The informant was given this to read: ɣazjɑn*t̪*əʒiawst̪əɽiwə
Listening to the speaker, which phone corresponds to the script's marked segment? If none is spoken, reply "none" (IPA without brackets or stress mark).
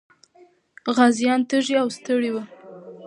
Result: t̪